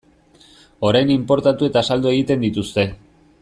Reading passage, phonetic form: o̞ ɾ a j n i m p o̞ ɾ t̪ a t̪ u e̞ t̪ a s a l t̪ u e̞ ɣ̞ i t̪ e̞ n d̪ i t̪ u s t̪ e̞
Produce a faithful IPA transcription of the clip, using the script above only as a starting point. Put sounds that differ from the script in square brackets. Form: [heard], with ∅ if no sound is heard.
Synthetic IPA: o̞ ɾ a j n i m p o̞ ɾ t̪ a t̪ u e̞ t̪ a s a l [d̪] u e̞ ɣ̞ i t̪ e̞ n d̪ i t̪ u s t̪ e̞